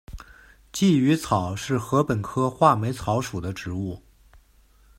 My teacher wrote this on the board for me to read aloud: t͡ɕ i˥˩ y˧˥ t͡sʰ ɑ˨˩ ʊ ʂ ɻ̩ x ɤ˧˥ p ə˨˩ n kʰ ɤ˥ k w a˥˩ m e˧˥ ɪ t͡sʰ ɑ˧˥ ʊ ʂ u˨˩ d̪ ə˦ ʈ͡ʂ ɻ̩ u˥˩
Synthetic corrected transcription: t͡ɕ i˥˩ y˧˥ t͡sʰ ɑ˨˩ ʊ ʂ ɻ̩ x ɤ˧˥ p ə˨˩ n kʰ ɤ˥ x w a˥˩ m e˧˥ ɪ t͡sʰ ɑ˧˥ ʊ ʂ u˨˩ d̪ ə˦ ʈ͡ʂ ɻ̩ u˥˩